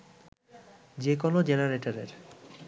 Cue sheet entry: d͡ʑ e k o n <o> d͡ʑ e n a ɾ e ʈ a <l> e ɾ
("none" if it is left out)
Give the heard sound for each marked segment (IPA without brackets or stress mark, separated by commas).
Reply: o, ɾ